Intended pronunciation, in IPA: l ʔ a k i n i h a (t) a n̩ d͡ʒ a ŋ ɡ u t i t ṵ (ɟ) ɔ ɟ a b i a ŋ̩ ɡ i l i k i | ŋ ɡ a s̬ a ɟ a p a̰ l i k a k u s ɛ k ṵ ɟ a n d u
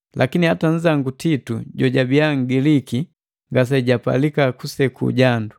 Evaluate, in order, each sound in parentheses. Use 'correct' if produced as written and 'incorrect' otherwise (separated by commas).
correct, correct